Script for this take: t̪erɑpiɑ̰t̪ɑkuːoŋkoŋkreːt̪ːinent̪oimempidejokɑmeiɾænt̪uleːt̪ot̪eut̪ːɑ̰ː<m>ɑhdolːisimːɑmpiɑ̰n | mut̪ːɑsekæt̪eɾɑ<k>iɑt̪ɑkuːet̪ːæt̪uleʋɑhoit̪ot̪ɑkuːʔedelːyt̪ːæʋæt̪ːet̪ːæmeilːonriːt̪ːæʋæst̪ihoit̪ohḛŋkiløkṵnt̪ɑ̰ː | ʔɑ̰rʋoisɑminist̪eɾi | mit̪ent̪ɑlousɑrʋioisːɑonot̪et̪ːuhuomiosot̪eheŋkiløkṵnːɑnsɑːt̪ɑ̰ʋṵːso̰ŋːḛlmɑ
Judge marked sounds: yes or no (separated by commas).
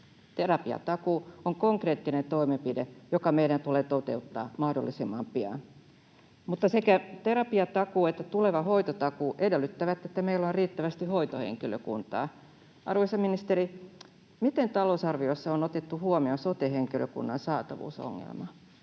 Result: yes, no